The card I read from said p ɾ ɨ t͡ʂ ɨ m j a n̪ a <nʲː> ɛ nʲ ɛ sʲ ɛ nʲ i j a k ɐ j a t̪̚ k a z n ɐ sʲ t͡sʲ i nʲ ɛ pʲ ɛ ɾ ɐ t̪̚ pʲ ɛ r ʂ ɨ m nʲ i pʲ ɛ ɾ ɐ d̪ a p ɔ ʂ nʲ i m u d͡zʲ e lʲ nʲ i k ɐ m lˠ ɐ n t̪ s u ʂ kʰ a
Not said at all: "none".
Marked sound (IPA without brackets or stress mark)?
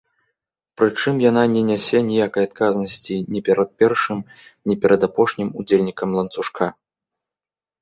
nʲ